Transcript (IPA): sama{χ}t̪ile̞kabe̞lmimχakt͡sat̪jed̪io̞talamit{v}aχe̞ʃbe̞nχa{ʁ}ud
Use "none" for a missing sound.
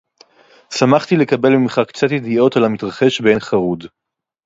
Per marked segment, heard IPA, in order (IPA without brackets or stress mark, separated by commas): χ, ʁ, ʁ